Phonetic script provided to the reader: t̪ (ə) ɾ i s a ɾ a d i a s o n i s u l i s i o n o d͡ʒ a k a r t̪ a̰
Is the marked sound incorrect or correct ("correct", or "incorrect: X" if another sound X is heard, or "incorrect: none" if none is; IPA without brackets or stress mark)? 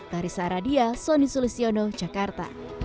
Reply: incorrect: a